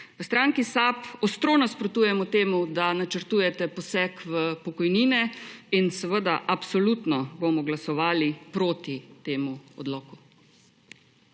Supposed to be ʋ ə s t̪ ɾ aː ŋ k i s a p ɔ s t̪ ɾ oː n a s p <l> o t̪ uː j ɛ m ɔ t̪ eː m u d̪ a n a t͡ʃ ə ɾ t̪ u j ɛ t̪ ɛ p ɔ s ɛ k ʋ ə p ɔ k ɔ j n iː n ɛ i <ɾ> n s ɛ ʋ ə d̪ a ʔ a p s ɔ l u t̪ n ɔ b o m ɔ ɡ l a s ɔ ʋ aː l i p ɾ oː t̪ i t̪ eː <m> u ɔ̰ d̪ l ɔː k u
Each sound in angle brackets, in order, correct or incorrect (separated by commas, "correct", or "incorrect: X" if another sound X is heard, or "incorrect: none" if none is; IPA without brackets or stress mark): incorrect: ɾ, incorrect: none, correct